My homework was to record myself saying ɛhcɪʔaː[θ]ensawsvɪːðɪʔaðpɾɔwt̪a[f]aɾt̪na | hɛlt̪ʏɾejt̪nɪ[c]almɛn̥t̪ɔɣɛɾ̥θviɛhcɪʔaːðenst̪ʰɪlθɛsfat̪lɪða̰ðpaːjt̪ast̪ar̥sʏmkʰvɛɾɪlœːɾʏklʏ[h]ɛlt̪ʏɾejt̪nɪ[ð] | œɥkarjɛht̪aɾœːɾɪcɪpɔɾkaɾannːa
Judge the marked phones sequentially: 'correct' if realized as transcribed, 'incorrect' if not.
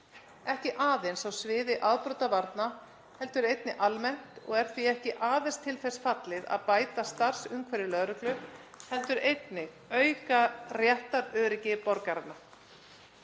incorrect: ð, incorrect: v, incorrect: ʔ, correct, incorrect: ɣ

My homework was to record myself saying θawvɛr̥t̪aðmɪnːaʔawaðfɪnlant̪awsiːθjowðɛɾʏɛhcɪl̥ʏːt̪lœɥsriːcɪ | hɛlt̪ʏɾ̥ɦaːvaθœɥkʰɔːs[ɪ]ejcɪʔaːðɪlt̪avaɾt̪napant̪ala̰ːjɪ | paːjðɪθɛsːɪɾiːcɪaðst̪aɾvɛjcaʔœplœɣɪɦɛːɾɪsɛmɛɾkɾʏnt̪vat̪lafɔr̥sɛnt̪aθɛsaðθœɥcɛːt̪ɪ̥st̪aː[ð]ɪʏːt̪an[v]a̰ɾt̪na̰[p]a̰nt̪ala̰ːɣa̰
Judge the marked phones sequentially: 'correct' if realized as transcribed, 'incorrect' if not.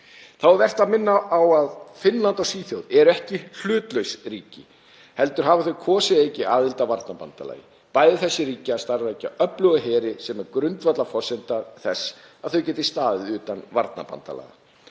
correct, correct, correct, correct

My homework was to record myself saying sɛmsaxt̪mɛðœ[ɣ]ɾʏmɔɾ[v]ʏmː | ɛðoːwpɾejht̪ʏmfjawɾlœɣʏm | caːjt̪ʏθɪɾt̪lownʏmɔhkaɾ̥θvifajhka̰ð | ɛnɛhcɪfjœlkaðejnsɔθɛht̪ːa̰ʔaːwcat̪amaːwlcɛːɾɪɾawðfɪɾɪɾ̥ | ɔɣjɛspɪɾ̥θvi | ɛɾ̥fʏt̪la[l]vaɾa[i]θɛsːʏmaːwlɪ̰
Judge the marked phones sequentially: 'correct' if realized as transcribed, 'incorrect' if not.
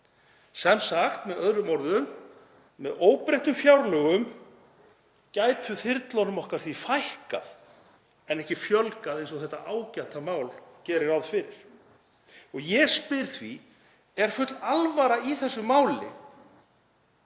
incorrect: ð, incorrect: ð, correct, correct

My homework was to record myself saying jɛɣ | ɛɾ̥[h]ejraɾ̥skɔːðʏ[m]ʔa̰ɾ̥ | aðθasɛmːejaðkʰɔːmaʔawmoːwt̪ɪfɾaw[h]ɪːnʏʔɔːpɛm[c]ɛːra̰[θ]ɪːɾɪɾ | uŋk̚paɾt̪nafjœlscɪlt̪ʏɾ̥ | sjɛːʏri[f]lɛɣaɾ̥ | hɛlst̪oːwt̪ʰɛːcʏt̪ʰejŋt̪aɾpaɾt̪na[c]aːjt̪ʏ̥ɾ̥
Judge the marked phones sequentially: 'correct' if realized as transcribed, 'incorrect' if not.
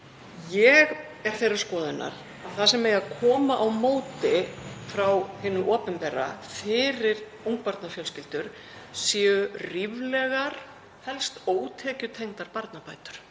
incorrect: θ, incorrect: n, correct, incorrect: p, incorrect: f, incorrect: v, incorrect: p

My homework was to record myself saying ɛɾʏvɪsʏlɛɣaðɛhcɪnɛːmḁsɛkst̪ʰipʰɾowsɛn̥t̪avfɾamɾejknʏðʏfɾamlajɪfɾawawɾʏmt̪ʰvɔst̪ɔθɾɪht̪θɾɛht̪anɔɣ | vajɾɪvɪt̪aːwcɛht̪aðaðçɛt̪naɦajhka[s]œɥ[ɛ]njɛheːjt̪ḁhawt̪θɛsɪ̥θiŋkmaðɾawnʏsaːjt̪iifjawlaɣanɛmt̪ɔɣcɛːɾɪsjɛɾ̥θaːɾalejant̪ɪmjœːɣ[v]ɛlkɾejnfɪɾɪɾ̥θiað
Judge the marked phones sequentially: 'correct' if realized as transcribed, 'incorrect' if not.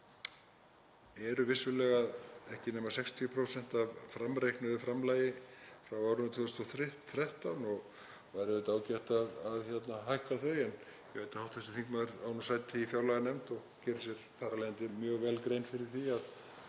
incorrect: θ, correct, correct

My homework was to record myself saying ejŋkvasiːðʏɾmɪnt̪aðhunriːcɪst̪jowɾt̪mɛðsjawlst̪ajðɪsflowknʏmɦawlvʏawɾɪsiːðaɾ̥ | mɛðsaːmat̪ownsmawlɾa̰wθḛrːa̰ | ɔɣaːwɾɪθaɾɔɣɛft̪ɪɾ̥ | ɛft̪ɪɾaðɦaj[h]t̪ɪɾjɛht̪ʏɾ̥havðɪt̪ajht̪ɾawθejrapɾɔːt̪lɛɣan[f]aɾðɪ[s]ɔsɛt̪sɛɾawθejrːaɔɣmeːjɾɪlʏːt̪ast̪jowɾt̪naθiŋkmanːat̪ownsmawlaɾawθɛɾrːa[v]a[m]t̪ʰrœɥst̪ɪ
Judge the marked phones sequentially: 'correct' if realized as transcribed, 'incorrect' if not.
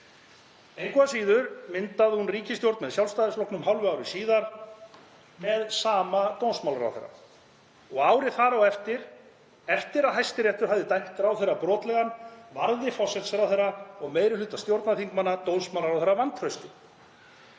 incorrect: s, incorrect: v, incorrect: f, correct, incorrect: n

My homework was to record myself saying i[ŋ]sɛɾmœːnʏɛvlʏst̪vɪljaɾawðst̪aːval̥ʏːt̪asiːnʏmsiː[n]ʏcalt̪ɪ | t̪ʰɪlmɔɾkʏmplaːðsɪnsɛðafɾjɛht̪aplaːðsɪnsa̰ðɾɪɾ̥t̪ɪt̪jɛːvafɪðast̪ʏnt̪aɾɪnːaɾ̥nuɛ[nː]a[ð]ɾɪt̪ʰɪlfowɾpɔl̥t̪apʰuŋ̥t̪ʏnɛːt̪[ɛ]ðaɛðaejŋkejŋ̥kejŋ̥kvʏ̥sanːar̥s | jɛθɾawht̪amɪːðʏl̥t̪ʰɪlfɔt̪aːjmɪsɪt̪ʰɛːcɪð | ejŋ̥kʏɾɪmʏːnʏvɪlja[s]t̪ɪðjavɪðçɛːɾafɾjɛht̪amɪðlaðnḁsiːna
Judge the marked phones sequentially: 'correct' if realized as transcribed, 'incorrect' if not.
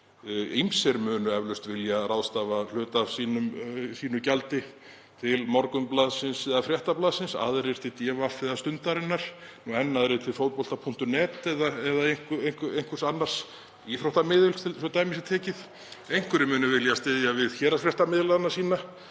incorrect: m, correct, correct, correct, correct, correct

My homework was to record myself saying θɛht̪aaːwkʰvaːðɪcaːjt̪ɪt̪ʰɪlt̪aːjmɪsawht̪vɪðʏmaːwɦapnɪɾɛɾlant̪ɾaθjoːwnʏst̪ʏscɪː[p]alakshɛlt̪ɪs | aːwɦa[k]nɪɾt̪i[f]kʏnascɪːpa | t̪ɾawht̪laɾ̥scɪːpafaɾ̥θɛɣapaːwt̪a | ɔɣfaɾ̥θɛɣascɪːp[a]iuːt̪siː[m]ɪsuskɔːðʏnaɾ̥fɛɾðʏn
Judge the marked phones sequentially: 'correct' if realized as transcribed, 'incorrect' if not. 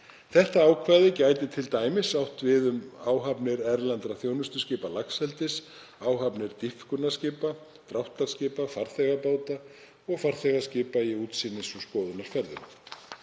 correct, incorrect: p, correct, correct, incorrect: n

